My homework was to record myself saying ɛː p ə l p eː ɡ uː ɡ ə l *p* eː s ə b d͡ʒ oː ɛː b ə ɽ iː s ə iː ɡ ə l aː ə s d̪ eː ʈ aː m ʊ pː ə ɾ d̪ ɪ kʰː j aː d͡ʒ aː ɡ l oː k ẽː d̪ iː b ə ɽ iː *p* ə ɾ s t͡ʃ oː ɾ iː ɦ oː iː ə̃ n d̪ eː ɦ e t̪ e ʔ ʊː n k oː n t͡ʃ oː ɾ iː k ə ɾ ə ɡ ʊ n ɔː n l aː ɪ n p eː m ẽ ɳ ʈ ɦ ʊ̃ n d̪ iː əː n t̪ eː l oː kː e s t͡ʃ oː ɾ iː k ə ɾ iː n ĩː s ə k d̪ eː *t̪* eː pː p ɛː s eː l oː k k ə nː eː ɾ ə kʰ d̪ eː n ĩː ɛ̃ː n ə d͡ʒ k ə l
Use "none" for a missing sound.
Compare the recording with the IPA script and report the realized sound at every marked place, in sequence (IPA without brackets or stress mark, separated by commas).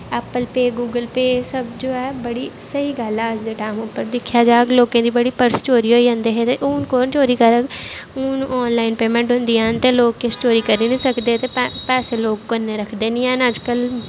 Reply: p, p, t̪